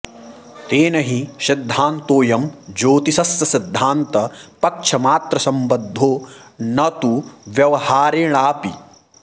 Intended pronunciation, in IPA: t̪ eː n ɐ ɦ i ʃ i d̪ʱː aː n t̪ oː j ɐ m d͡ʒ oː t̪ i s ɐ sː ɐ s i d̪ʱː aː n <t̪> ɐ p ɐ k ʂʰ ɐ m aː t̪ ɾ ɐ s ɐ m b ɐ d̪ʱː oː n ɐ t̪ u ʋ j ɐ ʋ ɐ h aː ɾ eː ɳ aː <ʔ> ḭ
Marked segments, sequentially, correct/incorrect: correct, incorrect: p

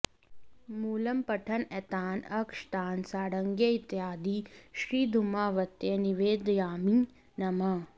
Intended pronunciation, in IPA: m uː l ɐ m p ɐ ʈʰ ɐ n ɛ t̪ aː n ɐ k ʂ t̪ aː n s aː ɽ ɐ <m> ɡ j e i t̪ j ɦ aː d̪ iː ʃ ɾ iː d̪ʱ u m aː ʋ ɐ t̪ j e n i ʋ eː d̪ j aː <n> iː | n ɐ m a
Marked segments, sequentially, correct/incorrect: incorrect: ŋ, incorrect: m

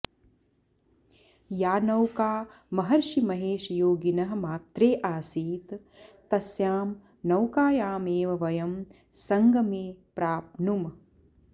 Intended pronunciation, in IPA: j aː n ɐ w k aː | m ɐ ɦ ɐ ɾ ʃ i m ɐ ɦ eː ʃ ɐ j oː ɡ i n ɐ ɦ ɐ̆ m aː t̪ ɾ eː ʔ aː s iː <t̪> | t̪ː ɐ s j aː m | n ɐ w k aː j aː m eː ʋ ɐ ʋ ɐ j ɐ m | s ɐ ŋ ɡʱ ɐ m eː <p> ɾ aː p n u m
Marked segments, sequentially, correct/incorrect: correct, correct

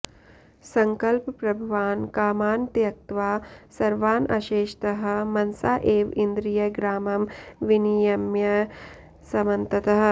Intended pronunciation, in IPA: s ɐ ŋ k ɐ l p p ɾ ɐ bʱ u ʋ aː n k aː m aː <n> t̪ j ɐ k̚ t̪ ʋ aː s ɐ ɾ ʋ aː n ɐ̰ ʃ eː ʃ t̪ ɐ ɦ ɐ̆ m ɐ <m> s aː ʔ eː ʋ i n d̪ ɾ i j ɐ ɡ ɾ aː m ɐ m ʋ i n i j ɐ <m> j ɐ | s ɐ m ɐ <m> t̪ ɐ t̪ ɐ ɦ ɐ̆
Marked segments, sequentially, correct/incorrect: correct, incorrect: n, correct, incorrect: n

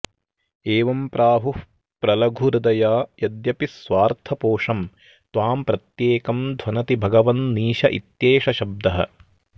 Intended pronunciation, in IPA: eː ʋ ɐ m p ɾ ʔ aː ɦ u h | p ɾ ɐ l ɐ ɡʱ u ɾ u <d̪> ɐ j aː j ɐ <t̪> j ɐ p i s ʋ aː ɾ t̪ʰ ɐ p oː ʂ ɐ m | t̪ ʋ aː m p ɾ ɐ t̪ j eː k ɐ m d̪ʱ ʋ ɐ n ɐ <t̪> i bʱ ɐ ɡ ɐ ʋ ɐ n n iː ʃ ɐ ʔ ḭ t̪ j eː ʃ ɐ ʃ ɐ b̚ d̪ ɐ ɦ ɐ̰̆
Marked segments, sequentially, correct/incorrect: correct, incorrect: d̪, correct

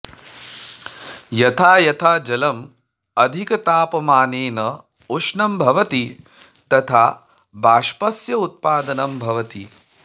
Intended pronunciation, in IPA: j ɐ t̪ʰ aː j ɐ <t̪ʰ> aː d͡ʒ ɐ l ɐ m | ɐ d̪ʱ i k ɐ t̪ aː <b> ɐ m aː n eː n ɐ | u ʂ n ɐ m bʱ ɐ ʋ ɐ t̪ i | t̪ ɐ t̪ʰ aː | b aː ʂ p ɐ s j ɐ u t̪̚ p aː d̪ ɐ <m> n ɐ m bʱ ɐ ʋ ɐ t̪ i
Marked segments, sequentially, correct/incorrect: correct, incorrect: p, incorrect: none

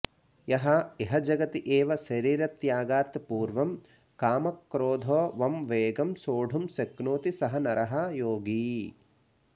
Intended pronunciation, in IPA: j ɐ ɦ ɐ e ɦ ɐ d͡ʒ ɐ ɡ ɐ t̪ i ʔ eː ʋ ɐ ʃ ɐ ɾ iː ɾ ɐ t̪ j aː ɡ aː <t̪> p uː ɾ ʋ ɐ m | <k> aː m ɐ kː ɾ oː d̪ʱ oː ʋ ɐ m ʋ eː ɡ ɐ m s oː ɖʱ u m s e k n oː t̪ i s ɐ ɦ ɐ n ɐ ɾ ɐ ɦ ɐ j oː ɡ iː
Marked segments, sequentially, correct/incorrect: correct, correct

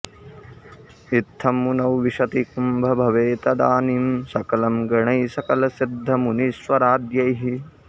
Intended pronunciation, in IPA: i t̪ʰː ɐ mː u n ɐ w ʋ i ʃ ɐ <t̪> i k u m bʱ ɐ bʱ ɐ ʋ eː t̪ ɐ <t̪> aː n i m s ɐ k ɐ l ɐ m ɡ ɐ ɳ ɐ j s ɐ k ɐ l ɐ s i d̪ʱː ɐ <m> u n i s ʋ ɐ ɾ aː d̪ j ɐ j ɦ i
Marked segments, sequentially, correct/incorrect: correct, incorrect: d̪, correct

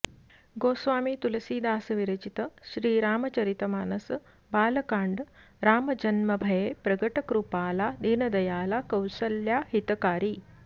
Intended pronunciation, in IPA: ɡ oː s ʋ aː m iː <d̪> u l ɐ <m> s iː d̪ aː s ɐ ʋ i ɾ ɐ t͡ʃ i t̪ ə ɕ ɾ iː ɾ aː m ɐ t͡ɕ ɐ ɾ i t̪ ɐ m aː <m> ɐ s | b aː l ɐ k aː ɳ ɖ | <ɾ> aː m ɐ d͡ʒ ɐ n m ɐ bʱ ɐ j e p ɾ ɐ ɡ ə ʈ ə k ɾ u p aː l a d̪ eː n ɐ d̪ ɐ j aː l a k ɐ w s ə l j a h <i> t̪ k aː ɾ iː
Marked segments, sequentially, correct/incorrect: incorrect: t̪, incorrect: none, incorrect: n, correct, correct

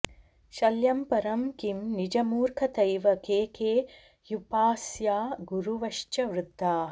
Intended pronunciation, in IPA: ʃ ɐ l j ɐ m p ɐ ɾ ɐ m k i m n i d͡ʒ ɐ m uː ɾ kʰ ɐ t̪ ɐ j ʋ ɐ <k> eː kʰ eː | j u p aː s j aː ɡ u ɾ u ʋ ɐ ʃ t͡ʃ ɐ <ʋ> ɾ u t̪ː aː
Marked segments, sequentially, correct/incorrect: correct, correct

